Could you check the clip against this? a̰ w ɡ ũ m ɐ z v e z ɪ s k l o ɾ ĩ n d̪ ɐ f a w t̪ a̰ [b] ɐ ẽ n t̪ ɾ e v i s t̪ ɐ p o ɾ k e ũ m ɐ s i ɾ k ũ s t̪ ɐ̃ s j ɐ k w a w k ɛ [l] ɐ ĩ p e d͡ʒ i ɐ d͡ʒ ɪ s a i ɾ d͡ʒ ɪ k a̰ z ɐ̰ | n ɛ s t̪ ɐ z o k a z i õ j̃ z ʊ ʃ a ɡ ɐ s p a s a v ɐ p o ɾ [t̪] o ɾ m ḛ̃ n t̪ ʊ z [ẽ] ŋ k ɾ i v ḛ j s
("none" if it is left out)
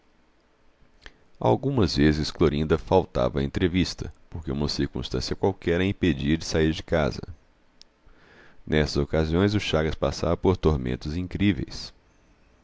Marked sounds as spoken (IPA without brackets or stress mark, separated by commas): v, ɾ, t̪, ĩ